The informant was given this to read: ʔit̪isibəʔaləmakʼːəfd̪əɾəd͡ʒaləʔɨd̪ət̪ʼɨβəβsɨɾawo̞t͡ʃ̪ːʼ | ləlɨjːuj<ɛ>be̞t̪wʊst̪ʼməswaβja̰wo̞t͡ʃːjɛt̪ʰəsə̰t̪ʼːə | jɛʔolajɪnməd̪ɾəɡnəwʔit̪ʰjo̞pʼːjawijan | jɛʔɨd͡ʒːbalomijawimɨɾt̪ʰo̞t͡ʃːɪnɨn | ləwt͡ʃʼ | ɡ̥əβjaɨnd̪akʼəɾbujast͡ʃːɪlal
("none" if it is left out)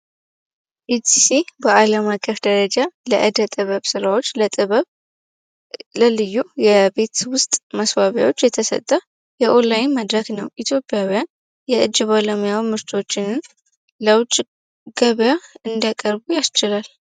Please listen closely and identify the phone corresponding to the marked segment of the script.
ɛ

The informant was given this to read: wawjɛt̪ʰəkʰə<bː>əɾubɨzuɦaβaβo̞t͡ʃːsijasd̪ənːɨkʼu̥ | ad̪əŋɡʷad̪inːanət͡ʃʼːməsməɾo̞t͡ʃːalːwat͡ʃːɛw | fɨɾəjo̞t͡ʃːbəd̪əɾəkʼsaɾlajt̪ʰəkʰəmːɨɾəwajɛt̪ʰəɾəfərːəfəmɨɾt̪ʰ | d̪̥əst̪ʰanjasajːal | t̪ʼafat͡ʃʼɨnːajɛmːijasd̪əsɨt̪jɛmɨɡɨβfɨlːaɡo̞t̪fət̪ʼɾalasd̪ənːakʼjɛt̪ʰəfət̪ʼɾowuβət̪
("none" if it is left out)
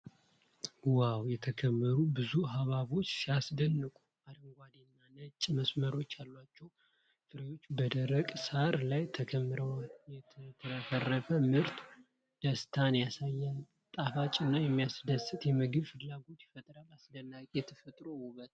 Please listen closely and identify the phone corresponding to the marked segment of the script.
mː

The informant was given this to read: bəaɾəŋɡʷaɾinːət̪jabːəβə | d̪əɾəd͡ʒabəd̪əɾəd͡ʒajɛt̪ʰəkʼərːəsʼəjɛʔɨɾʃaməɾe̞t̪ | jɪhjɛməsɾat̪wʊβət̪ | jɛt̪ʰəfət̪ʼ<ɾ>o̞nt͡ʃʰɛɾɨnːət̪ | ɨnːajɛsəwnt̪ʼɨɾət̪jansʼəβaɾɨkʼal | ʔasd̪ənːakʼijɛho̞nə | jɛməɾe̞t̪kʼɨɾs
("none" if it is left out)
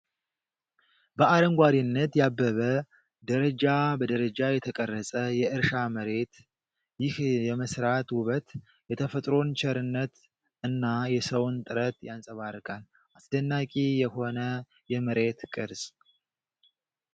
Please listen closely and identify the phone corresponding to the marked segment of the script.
ɾ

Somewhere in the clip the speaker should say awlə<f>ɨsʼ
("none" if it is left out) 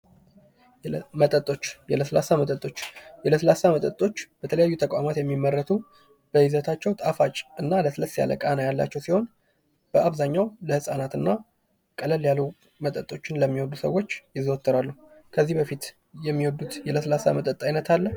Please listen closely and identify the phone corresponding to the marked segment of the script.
h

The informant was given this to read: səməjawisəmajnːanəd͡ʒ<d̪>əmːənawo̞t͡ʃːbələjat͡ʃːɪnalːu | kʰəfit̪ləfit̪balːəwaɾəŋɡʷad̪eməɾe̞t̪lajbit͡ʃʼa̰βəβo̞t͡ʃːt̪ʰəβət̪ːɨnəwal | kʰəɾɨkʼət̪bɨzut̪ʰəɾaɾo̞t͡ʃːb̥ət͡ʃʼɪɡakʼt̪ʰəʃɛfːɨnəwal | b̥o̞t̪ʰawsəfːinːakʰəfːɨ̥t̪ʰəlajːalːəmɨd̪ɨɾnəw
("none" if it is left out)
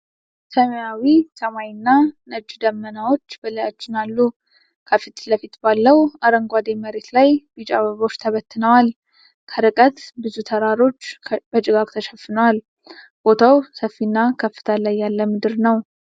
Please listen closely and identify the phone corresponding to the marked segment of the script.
d̪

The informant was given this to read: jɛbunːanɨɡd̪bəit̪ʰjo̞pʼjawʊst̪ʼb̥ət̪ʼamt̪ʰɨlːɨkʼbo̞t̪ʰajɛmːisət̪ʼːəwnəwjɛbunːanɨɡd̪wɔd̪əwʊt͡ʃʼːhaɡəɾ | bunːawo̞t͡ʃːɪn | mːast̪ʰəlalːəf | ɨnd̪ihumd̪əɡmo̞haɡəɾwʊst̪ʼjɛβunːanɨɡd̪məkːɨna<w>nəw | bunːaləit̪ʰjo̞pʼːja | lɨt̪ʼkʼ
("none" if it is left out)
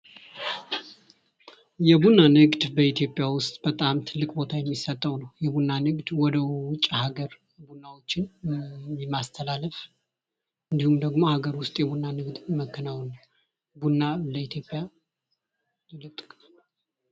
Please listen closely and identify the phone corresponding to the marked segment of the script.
w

